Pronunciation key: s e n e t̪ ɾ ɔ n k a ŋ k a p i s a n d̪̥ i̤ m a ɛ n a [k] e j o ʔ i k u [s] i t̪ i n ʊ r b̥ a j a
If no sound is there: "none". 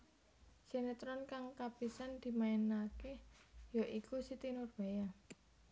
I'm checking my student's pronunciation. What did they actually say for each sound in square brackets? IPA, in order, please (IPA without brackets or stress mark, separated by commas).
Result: k, s